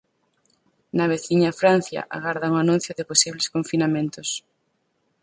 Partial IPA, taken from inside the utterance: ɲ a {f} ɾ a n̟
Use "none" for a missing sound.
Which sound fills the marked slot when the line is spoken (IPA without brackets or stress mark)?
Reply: f